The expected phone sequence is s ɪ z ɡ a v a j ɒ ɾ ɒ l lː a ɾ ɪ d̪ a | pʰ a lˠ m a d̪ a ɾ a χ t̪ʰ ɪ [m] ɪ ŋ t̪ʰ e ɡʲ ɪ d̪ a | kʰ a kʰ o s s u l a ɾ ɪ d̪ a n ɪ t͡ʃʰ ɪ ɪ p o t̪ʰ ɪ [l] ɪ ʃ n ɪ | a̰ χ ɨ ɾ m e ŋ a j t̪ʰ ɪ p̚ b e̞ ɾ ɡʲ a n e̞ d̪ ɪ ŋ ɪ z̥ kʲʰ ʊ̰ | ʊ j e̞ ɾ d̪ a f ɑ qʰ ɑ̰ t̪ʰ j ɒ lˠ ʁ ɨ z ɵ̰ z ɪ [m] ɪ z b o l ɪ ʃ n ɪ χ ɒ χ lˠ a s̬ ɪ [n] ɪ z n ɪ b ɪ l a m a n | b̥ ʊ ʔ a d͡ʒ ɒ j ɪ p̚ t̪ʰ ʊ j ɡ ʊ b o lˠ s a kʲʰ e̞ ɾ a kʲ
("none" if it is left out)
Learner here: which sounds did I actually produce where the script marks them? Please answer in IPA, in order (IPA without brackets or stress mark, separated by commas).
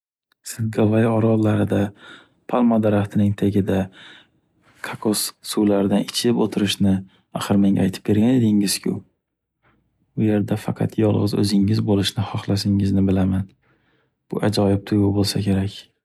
n, ɾ, ŋ, ŋ